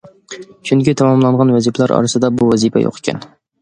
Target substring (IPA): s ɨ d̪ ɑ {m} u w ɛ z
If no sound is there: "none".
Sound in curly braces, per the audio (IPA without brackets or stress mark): b